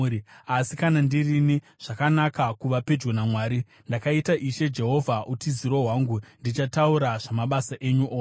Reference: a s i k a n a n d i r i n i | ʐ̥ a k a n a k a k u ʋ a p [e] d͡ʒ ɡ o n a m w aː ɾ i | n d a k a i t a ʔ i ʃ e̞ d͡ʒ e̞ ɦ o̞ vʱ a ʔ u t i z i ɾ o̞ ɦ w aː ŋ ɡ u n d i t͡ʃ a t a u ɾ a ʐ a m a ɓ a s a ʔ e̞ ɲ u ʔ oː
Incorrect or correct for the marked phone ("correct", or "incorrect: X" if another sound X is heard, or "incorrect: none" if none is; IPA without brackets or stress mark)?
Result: correct